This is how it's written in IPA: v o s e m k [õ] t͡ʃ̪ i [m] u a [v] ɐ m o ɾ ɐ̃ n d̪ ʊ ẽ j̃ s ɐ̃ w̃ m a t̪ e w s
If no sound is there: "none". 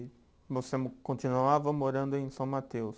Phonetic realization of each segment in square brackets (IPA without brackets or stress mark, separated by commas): õ, n, v